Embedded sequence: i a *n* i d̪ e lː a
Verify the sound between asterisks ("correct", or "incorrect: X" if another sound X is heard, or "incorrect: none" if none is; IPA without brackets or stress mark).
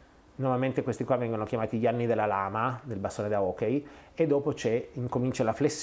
incorrect: nː